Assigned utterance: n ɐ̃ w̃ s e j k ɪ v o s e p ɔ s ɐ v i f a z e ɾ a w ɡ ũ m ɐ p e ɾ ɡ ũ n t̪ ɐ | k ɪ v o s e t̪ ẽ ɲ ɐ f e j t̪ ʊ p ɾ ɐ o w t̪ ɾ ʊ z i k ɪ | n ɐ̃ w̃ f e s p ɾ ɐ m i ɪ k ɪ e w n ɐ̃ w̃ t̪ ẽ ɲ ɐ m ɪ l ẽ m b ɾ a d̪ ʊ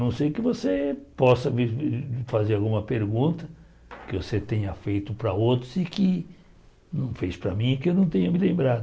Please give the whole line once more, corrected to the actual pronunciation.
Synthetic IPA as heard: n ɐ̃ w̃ s e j k ɪ v o s e p ɔ s ɐ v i f a z e ɾ a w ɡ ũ m ɐ p e ɾ ɡ ũ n t̪ ɐ | k ɪ v o s e t̪ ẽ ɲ ɐ f e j t̪ ʊ p ɾ ɐ o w t̪ ɾ ʊ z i k ɪ | n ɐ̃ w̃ f e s p ɾ ɐ m ĩ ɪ k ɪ e w n ɐ̃ w̃ t̪ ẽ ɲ ɐ m ɪ l ẽ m b ɾ a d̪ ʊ